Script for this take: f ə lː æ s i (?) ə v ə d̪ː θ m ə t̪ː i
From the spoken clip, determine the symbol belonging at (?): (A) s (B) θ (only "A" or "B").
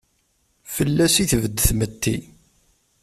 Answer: B